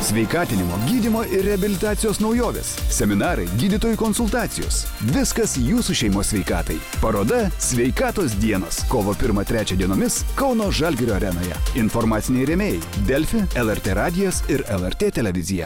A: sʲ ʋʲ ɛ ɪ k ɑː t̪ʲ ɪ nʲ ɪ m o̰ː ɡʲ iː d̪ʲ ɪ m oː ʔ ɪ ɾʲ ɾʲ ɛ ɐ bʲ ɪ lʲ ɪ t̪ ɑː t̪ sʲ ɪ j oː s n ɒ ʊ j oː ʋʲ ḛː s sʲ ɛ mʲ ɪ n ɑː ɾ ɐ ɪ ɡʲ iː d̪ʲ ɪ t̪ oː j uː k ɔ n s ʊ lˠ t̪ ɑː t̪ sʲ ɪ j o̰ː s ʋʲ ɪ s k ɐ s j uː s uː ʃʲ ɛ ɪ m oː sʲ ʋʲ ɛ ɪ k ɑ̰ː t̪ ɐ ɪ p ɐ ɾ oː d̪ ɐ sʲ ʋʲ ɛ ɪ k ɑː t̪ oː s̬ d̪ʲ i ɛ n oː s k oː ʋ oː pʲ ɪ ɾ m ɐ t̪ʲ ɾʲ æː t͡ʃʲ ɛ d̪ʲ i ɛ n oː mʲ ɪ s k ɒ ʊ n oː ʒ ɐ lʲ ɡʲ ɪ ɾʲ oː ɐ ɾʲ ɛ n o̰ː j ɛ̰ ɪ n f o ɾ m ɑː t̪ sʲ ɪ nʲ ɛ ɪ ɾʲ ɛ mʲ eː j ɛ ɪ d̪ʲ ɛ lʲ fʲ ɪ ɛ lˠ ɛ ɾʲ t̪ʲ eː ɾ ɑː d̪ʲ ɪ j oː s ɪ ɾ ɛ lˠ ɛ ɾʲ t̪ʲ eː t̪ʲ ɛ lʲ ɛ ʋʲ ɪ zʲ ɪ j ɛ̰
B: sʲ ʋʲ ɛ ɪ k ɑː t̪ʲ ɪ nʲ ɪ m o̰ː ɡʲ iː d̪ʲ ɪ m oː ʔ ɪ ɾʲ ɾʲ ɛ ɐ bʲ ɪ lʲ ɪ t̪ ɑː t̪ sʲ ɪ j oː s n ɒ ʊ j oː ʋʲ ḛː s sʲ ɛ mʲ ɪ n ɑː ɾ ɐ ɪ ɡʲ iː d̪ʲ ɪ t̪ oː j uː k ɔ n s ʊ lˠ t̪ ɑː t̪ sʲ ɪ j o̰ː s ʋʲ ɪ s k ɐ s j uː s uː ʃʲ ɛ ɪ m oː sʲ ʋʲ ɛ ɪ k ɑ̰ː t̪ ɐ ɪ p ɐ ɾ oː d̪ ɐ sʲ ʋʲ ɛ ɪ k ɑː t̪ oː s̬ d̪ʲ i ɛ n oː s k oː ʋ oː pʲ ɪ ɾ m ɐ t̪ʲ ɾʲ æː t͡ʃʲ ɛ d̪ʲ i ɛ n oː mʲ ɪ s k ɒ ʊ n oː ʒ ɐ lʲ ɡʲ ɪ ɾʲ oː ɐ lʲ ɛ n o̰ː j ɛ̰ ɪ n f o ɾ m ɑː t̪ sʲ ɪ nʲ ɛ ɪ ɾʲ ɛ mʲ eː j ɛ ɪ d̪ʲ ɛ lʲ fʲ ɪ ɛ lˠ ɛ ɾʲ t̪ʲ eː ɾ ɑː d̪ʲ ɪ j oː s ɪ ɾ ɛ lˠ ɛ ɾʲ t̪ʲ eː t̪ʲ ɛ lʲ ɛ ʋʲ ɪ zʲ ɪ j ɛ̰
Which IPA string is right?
A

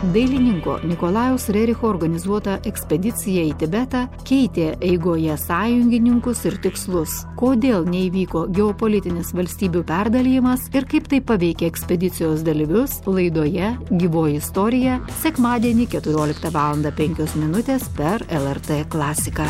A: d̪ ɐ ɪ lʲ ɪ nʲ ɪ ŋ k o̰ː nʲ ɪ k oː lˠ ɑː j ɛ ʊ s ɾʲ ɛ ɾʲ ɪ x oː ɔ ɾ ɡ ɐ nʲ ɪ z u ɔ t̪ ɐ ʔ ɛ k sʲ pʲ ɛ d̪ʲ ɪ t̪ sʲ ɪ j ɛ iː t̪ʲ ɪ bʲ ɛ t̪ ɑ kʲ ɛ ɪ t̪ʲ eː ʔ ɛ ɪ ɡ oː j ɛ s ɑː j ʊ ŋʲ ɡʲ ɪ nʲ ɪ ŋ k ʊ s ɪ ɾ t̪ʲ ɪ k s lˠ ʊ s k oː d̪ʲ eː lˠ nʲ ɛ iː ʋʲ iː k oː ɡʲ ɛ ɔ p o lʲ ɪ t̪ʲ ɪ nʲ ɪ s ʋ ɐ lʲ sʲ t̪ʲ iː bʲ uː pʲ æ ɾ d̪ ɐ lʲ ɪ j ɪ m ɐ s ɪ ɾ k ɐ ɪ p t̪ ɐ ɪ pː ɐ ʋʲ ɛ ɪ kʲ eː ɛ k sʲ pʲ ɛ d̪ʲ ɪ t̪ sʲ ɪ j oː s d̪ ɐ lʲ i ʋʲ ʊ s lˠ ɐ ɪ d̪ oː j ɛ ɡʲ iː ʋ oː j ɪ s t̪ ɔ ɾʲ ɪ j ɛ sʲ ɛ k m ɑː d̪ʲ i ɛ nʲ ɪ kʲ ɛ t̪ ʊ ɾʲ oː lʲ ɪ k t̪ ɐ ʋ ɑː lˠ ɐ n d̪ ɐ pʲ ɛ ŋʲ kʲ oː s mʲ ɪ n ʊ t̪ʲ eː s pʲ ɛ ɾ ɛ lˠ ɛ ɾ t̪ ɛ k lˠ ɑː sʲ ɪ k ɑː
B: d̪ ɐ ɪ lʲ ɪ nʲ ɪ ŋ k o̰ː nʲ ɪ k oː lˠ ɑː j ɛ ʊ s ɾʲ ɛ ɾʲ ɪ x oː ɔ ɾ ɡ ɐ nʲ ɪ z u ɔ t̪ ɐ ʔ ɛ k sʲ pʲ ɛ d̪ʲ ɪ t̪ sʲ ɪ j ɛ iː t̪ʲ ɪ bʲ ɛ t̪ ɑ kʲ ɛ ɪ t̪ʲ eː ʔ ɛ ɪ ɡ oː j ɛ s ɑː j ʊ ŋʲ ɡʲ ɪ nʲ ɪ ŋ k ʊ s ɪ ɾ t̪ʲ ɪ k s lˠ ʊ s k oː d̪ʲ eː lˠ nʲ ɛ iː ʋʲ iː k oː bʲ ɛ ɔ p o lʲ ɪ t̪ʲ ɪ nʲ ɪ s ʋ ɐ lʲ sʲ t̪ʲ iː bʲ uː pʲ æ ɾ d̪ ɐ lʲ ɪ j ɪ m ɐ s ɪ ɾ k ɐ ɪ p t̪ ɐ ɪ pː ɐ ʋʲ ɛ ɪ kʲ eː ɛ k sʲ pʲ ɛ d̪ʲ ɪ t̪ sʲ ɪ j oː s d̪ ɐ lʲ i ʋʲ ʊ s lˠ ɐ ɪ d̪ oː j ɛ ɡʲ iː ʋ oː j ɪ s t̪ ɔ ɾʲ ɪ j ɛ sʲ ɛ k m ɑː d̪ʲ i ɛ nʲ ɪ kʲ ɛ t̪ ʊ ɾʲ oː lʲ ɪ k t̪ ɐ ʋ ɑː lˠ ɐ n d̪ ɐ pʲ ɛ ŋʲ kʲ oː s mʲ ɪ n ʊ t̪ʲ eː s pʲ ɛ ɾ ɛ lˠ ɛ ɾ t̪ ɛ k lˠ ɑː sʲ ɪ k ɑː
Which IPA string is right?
A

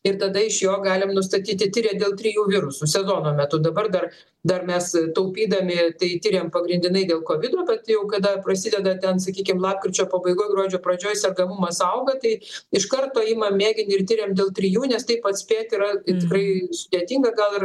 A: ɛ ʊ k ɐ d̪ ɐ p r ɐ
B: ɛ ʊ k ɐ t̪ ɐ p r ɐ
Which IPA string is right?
A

